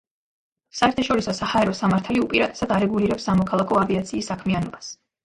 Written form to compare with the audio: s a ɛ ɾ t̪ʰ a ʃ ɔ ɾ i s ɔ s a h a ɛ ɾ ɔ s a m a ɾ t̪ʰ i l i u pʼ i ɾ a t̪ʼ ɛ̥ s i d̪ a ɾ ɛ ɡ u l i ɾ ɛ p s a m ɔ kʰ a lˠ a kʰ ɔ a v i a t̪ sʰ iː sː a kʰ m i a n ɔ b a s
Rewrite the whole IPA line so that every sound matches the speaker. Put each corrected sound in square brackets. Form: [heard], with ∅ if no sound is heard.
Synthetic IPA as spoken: s a ɛ ɾ t̪ʰ a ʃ ɔ ɾ i s ɔ s a h a ɛ ɾ ɔ s a m a ɾ t̪ʰ [a] l i u pʼ i ɾ a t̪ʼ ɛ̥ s [a] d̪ a ɾ ɛ ɡ u l i ɾ ɛ p s a m ɔ kʰ a lˠ a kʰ ɔ a v i a t̪ sʰ iː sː a kʰ m i a n ɔ b a s